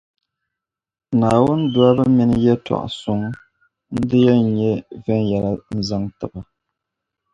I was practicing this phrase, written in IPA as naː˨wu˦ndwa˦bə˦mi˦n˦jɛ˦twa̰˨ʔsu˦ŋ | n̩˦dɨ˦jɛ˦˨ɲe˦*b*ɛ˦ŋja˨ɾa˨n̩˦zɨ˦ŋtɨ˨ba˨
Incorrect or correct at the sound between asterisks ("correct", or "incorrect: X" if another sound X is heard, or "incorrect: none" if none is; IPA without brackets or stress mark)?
incorrect: v